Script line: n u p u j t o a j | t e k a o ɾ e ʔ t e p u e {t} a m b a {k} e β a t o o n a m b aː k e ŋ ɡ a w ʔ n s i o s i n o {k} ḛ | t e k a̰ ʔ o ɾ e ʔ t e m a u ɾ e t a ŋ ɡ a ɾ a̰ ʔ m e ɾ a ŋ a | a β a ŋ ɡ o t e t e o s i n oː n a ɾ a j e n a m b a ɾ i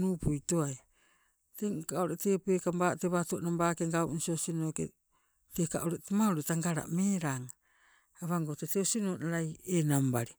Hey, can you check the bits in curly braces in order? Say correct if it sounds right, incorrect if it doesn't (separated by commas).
incorrect, incorrect, correct